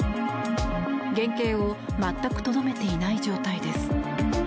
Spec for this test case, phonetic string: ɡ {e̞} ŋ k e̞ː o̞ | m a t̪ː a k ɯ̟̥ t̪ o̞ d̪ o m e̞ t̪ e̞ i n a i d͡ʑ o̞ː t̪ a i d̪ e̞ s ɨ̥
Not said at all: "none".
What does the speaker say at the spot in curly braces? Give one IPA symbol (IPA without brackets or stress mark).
ẽ̞